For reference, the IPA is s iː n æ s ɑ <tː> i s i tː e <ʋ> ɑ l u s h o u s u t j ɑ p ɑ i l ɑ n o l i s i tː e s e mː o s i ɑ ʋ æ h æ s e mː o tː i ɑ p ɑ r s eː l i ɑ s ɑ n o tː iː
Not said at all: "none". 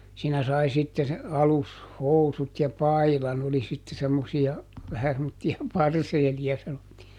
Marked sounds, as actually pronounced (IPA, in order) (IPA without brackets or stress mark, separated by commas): none, none